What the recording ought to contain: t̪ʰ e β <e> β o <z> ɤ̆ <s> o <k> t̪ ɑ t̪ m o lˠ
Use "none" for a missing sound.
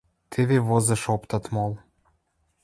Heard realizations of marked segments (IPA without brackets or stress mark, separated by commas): e, z, ʃ, p